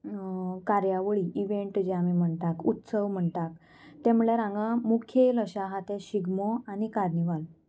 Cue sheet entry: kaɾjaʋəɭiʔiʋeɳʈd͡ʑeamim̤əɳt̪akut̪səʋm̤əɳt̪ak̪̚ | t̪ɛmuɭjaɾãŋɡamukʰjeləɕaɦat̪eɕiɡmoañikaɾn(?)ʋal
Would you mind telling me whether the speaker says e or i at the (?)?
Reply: i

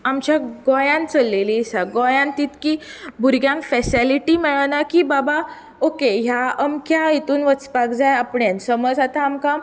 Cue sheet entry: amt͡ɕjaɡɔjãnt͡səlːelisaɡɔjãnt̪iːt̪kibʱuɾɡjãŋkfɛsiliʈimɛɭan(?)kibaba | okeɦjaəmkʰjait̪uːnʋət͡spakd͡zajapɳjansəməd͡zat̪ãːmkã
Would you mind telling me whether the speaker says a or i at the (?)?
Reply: a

